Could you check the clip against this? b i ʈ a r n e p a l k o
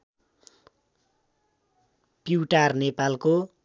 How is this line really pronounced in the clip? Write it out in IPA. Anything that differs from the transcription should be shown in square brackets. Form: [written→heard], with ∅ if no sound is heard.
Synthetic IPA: [b→p] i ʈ a r n e p a l k o